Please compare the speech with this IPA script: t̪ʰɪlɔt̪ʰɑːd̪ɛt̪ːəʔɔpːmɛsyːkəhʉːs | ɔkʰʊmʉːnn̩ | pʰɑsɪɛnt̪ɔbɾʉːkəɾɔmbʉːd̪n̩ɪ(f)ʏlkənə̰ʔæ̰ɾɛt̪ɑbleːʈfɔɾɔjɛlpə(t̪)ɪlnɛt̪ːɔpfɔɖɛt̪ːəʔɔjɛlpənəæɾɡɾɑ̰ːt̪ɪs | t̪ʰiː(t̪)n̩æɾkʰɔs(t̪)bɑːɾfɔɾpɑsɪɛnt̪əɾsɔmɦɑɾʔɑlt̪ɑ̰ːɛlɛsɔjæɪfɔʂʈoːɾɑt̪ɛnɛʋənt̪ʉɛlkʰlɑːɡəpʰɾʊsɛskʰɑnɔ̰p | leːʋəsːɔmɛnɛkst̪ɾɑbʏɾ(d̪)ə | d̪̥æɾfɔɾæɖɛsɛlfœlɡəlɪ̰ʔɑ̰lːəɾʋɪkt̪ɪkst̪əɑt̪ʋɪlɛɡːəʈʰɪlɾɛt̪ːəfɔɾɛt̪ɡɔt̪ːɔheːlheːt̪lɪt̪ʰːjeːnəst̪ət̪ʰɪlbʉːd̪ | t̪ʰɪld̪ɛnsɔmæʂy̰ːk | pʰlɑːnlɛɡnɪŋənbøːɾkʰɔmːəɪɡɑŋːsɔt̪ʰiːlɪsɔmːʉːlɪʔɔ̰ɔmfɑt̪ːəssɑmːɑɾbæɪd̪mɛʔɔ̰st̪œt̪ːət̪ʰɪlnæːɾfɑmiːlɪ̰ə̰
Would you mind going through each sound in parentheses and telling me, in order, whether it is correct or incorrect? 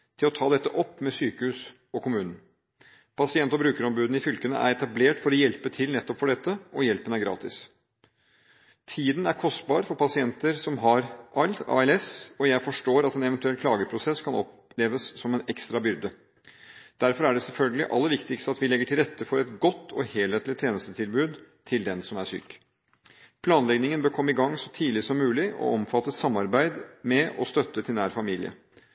correct, incorrect, incorrect, correct, correct

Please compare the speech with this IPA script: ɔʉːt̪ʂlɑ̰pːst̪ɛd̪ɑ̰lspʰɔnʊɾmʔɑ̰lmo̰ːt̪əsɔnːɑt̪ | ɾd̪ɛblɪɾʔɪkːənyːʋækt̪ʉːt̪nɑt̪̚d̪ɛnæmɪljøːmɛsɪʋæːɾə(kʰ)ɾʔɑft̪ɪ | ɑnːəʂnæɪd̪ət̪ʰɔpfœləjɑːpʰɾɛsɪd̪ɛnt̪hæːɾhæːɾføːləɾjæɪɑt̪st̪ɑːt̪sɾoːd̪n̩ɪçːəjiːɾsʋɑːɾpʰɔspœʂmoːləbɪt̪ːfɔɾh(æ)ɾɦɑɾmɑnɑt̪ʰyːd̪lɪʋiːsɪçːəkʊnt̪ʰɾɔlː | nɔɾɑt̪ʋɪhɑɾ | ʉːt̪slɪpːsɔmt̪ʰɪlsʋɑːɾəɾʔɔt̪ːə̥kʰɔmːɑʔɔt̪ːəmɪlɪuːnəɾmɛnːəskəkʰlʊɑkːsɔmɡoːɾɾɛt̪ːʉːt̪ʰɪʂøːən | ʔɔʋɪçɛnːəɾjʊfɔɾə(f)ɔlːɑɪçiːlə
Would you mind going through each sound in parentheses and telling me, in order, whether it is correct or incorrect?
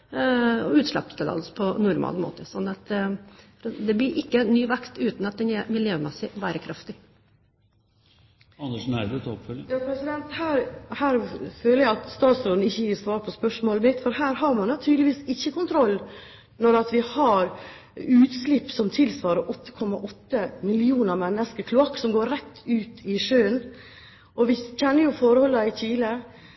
correct, incorrect, incorrect

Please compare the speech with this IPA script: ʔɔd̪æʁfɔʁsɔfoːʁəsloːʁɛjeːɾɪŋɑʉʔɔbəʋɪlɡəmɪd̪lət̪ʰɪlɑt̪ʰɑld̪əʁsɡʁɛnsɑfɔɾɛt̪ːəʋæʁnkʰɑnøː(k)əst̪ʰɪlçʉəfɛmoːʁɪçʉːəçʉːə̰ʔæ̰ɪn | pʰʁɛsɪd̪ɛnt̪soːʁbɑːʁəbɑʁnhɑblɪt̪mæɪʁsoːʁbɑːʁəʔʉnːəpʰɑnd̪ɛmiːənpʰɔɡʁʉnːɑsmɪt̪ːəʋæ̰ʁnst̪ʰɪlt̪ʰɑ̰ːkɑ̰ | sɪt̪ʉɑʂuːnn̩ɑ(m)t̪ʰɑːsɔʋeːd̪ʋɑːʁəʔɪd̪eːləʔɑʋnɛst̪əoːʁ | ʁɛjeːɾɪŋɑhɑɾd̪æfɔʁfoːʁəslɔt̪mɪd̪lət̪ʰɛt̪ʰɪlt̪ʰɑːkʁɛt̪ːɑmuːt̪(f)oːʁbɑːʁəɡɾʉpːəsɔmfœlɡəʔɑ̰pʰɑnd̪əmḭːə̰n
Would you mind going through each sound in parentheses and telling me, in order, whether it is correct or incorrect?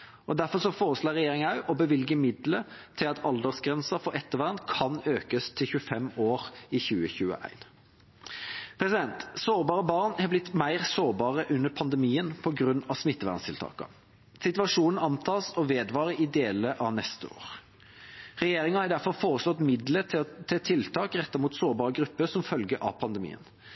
correct, incorrect, incorrect

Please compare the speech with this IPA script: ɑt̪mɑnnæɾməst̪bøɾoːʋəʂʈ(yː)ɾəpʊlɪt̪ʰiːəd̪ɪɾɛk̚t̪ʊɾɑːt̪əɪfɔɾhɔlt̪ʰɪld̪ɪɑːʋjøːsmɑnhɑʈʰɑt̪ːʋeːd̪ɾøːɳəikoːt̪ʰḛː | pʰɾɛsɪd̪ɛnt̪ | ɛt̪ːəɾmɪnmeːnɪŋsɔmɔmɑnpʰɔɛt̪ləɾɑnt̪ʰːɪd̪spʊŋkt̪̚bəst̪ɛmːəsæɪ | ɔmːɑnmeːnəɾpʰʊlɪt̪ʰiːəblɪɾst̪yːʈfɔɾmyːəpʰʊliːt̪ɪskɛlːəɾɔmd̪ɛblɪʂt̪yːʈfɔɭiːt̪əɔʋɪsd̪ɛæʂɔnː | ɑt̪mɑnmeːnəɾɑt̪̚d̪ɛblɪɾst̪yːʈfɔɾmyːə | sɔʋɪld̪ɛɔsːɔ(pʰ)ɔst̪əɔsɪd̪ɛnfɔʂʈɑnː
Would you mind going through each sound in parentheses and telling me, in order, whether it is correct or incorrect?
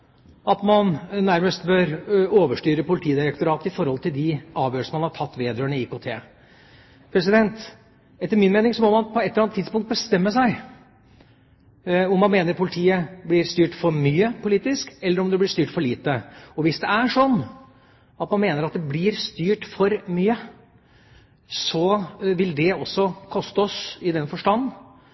correct, incorrect

